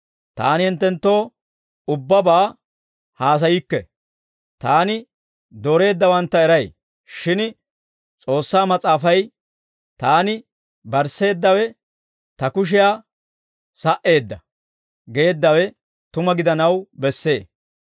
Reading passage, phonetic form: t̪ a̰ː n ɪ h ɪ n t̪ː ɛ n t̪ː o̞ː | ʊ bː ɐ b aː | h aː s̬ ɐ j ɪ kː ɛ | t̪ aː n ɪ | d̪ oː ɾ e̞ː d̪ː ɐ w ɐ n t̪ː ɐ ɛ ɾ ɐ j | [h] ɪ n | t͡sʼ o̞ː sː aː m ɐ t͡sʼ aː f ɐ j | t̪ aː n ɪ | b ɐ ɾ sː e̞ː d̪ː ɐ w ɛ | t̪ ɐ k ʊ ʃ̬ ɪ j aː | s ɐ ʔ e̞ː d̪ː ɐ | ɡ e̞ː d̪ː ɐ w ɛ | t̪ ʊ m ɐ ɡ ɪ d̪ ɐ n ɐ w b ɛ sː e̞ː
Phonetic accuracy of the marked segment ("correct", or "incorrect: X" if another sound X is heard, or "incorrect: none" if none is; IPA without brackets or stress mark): incorrect: ʃ